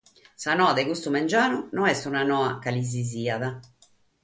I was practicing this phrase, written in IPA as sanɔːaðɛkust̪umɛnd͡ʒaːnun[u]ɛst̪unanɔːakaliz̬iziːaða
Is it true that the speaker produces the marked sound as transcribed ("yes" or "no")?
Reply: no